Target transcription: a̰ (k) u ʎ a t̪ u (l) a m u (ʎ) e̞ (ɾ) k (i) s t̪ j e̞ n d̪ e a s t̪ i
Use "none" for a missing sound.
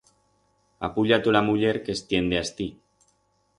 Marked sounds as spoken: p, l, ʎ, ɾ, e

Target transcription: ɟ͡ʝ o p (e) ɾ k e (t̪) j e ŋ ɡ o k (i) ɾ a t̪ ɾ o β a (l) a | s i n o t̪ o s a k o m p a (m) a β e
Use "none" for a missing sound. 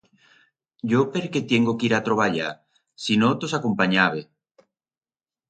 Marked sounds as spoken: e, t̪, i, ʎ, ɲ

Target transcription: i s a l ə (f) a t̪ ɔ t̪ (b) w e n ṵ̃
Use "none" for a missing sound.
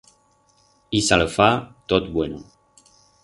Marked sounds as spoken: f, b

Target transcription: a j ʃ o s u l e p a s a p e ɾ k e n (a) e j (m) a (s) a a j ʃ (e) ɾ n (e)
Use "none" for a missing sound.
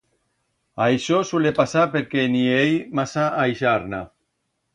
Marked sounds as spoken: i, m, s, a, a

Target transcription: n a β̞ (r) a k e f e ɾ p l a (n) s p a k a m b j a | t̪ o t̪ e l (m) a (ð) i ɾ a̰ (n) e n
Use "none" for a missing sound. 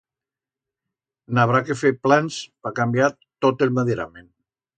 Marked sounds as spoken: ɾ, n, m, ð, m

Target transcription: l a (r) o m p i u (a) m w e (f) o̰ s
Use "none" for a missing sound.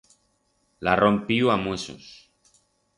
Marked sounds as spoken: r, a, s

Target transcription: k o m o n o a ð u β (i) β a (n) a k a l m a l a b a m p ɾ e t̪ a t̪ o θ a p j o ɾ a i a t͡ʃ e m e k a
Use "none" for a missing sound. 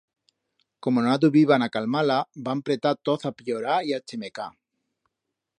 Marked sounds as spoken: i, n

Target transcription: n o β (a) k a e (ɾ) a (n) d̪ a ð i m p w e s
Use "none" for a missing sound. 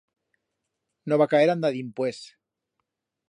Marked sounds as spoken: a, ɾ, n

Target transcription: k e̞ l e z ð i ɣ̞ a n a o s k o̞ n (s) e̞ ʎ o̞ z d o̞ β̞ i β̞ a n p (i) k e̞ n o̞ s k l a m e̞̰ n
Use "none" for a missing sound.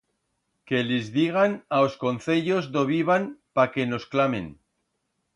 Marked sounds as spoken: θ, a

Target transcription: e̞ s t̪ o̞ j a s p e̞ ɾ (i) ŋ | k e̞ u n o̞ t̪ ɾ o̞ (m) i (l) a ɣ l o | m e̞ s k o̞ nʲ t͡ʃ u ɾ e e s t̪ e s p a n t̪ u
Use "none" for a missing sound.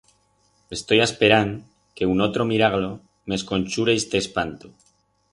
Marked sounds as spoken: a, m, ɾ

